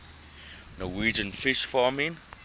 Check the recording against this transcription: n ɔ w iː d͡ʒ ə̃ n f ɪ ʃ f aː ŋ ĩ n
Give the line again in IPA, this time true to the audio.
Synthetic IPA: n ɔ w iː d͡ʒ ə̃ n f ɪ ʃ f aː m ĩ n